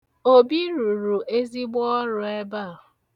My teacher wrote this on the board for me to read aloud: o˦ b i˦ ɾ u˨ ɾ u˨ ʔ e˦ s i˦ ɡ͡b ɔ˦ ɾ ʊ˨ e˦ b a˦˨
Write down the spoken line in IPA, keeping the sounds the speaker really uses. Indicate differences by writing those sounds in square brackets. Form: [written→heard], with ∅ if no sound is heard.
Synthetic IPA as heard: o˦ b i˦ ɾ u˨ ɾ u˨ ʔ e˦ [s→z] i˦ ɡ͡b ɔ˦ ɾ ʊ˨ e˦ b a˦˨